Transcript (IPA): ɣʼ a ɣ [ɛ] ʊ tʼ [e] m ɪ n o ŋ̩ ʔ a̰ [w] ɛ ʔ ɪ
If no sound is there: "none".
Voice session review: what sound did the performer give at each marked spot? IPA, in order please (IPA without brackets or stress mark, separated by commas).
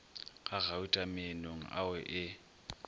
a, a, w